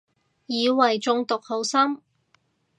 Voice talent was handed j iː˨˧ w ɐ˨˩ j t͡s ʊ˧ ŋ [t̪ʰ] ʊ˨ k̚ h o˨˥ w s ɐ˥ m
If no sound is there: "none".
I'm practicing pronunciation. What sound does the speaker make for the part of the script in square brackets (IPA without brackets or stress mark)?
t̪